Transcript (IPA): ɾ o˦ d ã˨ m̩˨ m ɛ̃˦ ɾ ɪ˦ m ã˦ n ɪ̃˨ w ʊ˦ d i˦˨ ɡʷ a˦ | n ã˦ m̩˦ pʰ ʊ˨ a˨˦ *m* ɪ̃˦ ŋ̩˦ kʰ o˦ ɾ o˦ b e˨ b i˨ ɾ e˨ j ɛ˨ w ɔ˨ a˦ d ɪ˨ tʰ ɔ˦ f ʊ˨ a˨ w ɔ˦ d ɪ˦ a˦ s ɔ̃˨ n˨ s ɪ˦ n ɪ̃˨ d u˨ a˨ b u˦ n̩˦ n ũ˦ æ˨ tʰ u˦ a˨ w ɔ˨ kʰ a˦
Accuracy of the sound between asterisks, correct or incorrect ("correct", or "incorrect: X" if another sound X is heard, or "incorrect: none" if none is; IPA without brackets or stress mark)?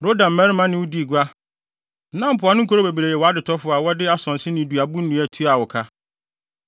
incorrect: n